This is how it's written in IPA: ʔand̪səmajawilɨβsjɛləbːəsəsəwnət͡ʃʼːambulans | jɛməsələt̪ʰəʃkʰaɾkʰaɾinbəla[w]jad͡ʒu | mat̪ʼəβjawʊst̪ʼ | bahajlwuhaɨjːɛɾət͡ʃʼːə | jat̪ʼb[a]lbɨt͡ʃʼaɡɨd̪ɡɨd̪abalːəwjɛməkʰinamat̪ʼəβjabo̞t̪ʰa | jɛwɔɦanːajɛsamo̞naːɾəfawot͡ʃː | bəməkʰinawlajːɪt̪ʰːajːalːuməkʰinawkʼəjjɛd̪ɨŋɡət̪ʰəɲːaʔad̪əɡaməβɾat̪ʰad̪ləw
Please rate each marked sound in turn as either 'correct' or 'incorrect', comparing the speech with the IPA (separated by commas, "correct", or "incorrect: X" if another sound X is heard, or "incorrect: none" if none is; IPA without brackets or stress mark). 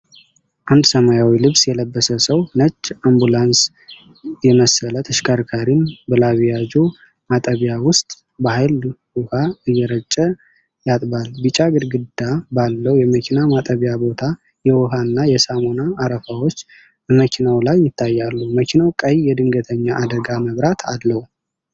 incorrect: β, correct